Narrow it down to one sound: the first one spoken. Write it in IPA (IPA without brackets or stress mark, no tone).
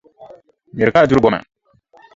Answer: m